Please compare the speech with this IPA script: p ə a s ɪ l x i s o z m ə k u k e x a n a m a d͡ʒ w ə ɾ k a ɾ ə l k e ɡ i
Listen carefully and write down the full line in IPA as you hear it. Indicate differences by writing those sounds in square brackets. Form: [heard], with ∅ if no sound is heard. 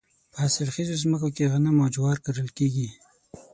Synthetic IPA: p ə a s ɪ l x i [z] o z m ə k [o] k e [ɣ] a n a m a d͡ʒ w [ɑ] ɾ k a ɾ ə l k e ɡ i